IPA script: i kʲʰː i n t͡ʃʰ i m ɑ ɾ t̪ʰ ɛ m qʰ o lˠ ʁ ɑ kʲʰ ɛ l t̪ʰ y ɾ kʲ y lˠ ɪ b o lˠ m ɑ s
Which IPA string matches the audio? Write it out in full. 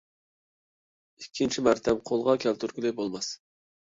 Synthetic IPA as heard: i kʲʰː i n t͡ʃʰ i m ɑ ɾ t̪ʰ ɛ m qʰ o lˠ ʁ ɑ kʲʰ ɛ l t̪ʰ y ɾ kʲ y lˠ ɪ b o lˠ m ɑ s